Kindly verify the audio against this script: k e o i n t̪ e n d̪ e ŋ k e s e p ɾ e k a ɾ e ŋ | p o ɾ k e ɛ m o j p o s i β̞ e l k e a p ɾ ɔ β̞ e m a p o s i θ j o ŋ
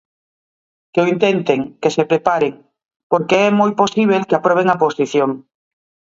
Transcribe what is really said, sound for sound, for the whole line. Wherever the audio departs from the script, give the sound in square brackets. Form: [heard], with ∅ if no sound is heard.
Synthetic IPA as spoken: k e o i n t̪ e n [t̪] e ŋ k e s e p ɾ e [p] a ɾ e ŋ | p o ɾ k e ɛ m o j p o s i β̞ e l k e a p ɾ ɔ β̞ e [ŋ] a p o s i θ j o ŋ